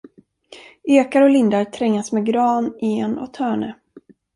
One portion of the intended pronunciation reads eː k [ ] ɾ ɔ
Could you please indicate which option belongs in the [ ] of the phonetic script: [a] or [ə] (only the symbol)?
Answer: a